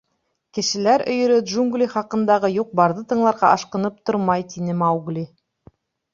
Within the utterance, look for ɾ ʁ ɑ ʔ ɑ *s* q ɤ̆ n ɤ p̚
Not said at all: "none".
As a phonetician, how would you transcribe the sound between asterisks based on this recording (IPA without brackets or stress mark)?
ʃ